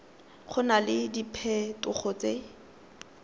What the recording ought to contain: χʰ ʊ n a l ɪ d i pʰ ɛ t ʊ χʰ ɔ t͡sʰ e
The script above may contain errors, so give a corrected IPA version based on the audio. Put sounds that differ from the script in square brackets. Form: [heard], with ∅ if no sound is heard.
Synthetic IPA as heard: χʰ ʊ n a l ɪ d i pʰ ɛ t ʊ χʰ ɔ [t͡s] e